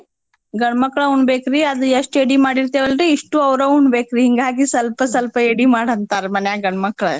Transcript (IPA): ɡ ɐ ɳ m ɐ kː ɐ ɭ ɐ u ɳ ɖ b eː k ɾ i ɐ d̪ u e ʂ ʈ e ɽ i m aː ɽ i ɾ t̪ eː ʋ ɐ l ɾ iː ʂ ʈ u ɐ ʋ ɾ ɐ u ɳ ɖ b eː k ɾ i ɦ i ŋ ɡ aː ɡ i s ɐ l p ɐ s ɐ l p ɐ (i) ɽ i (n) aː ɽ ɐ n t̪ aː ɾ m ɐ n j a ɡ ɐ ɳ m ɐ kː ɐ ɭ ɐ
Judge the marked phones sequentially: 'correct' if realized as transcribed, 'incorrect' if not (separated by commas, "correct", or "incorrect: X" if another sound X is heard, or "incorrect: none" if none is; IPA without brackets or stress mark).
incorrect: e, incorrect: m